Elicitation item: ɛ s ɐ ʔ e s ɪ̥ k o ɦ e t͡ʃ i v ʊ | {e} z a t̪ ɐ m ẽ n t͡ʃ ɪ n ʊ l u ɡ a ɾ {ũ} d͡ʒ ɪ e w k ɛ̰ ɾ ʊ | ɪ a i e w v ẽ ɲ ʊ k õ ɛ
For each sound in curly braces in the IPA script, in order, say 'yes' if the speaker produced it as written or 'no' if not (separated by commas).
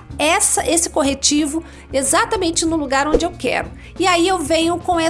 yes, no